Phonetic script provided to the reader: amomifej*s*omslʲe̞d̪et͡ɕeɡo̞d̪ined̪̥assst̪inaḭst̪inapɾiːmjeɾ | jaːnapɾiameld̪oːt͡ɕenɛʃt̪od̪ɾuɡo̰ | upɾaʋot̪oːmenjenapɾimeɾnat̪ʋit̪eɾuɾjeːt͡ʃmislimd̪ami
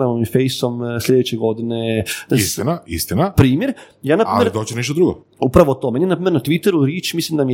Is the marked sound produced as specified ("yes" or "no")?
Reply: yes